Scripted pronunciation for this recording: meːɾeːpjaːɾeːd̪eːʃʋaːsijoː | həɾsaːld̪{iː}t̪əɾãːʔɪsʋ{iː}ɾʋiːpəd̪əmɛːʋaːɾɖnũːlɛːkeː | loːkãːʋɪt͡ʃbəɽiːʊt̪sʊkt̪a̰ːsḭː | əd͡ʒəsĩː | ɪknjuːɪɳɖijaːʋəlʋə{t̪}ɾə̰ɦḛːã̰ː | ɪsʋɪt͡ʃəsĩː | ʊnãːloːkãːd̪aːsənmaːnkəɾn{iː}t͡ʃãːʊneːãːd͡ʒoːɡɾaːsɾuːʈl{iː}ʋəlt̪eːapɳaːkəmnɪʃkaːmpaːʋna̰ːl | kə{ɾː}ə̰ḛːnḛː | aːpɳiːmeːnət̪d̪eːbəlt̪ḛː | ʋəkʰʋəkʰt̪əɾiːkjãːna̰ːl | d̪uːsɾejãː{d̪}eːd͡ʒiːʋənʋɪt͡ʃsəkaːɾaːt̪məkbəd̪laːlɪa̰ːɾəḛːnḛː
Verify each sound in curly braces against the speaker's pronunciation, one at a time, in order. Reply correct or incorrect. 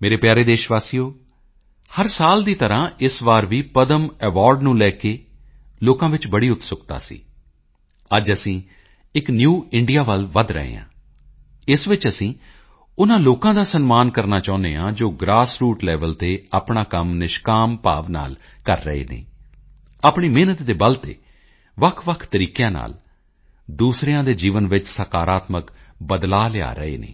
correct, incorrect, incorrect, incorrect, incorrect, correct, correct

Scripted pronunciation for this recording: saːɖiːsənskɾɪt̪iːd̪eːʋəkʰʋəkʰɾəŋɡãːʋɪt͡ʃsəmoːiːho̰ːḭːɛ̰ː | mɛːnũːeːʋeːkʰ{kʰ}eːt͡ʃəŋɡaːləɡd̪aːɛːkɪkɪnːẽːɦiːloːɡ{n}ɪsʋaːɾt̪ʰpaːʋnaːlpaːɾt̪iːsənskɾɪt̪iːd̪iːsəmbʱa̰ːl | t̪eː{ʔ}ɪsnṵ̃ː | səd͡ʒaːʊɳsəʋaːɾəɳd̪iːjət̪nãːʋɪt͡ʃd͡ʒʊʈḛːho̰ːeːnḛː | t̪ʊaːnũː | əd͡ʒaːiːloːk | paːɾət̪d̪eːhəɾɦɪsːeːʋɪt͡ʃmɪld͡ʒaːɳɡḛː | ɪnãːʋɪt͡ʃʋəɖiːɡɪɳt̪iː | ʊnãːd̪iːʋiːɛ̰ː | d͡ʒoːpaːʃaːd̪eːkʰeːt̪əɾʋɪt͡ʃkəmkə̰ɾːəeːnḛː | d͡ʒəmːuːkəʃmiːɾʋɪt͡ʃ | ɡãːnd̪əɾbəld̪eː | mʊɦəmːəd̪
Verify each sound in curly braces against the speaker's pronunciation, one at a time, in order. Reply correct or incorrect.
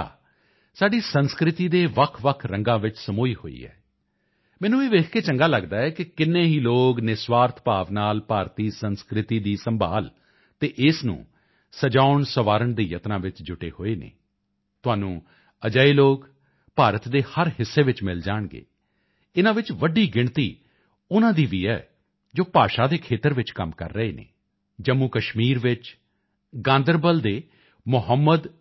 incorrect, correct, correct

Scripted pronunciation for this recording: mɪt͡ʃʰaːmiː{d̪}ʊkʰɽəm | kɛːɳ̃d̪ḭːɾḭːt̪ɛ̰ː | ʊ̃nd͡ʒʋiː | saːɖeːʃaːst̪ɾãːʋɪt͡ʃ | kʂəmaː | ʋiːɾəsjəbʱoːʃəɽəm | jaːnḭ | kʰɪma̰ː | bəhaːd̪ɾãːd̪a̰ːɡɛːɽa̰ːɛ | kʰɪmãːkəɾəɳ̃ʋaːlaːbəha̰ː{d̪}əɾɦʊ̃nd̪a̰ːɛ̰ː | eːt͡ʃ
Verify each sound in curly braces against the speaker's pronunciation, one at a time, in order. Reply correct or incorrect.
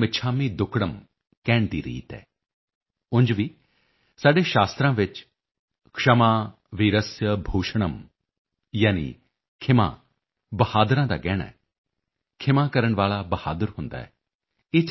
correct, correct

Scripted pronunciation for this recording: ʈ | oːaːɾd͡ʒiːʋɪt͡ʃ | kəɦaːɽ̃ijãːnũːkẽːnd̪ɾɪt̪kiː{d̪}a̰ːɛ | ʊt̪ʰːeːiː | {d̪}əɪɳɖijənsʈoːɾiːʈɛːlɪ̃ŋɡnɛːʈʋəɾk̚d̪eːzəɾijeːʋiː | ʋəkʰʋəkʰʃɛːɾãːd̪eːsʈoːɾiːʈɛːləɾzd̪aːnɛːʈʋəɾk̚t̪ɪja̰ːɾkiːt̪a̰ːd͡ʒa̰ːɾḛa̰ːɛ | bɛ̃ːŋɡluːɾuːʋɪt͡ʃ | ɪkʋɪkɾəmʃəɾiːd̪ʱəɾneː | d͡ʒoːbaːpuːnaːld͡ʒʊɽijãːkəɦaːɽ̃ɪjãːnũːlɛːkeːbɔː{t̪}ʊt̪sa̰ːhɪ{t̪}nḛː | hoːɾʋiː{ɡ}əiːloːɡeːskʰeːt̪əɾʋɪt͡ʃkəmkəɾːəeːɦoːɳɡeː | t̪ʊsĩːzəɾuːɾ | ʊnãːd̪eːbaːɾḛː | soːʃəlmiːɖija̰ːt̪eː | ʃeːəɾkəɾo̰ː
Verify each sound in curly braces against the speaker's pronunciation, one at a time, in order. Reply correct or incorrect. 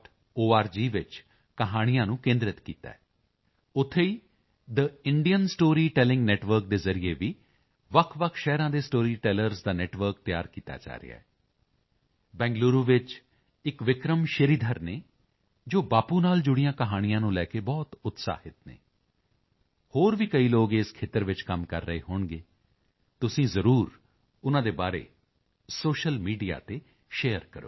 incorrect, correct, correct, correct, incorrect

